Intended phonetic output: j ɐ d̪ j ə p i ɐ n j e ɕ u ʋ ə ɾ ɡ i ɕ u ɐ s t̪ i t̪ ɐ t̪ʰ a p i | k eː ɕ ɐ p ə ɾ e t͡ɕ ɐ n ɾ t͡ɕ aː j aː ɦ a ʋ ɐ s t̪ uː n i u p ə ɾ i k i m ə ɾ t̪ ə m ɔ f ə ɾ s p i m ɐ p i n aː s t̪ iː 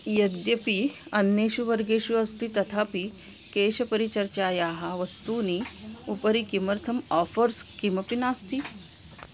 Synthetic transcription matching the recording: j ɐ d̪ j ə p i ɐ n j e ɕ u ʋ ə ɾ ɡ e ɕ u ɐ s t̪ i t̪ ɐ t̪ʰ a p i | k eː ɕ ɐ p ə ɾ i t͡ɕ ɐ ɾ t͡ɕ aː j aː ɦ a ʋ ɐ s t̪ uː n i u p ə ɾ i k i m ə ɾ t̪ʰ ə m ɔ f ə ɾ s k i m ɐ p i n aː s t̪ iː

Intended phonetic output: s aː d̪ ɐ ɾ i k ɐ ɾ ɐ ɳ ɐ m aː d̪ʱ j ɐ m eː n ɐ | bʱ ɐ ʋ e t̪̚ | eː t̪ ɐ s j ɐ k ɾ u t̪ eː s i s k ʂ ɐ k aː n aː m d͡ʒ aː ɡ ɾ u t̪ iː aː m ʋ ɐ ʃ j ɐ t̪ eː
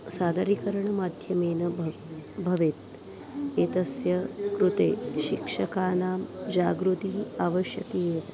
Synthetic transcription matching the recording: s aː d̪ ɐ ɾ i k ɐ ɾ ɐ ɳ ɐ m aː d̪ʱ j ɐ m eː n ɐ | bʱ ɐ ʋ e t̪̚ | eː t̪ ɐ s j ɐ k ɾ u t̪ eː ʃ i k ʂ ɐ k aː n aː m d͡ʒ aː ɡ ɾ u t̪ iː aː ʋ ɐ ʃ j ɐ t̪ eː

